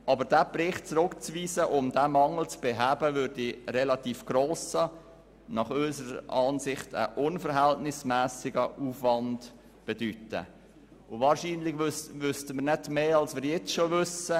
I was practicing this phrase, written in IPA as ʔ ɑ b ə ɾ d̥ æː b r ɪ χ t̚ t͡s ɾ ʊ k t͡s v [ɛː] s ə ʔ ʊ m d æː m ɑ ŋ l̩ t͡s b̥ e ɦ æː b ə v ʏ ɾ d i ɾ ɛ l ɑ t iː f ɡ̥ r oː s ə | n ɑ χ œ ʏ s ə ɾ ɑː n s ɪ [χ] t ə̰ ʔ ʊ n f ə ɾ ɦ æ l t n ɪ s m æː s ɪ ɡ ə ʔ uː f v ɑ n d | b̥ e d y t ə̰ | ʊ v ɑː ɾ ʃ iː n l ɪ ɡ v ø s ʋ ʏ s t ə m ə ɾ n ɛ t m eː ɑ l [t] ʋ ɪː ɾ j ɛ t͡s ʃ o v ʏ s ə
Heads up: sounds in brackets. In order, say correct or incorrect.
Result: incorrect: iː, correct, incorrect: s

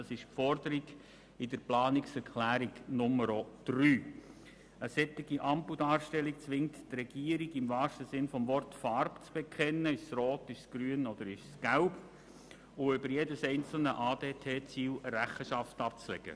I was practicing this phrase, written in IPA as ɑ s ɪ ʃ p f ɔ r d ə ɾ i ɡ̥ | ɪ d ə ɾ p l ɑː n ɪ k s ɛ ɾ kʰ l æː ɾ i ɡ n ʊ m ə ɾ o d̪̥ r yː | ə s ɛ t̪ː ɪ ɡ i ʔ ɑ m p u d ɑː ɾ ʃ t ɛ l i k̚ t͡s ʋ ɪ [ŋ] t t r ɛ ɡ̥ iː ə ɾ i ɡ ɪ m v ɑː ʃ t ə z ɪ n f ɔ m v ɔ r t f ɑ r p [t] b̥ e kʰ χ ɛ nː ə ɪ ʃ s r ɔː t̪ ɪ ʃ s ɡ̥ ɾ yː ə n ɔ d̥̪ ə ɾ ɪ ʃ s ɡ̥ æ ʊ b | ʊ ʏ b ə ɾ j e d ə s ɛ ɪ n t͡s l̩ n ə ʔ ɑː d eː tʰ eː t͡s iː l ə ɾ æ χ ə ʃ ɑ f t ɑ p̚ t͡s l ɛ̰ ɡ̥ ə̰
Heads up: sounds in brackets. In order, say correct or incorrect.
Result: correct, incorrect: t͡s

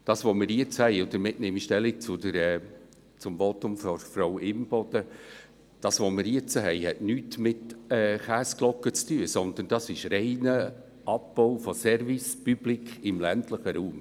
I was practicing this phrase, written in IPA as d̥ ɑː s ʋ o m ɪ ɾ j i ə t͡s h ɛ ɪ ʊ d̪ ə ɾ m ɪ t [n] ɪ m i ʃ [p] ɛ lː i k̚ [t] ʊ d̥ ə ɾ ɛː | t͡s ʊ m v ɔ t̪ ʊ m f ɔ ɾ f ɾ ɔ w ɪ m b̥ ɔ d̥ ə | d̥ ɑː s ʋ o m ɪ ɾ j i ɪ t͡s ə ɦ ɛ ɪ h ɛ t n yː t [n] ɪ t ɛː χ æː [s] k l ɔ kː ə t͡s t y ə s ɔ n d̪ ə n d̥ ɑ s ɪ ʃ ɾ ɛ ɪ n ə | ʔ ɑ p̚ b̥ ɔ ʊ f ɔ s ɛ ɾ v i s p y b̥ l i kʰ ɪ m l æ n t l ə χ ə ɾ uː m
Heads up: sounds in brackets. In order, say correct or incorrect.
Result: correct, incorrect: t, incorrect: t͡s, incorrect: m, correct

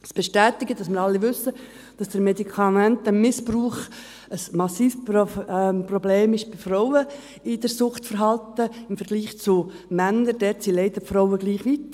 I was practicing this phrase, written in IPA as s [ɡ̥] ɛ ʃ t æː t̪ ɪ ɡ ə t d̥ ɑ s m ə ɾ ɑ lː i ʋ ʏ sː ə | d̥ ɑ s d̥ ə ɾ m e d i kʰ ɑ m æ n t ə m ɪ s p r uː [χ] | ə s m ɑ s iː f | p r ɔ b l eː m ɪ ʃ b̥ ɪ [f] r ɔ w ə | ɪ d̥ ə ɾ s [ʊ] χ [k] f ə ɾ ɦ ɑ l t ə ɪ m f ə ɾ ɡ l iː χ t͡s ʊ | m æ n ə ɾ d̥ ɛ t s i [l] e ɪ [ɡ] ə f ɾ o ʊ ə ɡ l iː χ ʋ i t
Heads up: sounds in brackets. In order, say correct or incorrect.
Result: incorrect: b̥, correct, correct, correct, incorrect: t, correct, incorrect: d

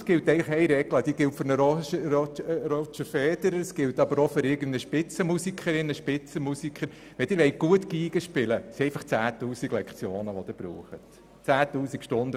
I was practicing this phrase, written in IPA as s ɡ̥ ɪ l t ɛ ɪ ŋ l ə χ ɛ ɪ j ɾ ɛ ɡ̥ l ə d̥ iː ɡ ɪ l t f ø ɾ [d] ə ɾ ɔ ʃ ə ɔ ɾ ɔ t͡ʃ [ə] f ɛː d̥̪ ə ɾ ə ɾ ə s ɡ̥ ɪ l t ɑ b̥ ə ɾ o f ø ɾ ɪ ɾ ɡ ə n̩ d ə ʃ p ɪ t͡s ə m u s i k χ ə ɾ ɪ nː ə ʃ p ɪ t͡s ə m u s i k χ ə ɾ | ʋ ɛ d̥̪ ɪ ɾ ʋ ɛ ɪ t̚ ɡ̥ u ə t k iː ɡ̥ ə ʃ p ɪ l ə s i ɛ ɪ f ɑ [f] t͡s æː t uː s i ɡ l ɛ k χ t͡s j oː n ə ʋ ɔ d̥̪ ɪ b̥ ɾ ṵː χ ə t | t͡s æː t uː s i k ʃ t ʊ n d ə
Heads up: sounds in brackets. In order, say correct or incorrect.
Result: incorrect: n, correct, incorrect: χ

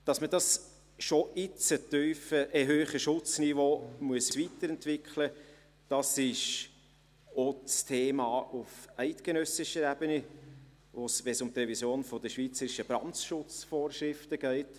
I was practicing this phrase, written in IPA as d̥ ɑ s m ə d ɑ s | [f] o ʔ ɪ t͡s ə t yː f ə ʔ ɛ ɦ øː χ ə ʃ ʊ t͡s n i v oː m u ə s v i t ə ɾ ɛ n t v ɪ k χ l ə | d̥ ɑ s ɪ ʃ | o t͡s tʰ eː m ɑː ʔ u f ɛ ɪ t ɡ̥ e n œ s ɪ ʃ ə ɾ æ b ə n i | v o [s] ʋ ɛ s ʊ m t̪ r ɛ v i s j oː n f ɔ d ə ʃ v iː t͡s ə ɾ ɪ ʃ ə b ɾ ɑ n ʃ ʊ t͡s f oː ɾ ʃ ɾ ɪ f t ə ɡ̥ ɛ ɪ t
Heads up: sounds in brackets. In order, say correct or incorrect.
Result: incorrect: ʃ, correct

